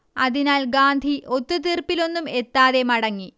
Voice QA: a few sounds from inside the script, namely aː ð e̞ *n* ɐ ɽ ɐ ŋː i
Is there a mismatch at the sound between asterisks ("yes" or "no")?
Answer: yes